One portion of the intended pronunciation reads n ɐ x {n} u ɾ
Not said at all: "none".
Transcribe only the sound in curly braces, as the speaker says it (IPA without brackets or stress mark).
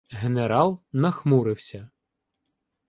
m